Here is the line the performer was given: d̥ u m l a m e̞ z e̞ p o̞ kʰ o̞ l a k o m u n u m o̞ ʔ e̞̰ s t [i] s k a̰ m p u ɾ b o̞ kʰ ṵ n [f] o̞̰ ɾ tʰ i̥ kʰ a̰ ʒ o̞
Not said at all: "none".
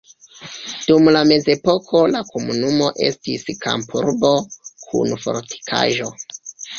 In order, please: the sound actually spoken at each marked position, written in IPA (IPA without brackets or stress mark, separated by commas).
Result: i, f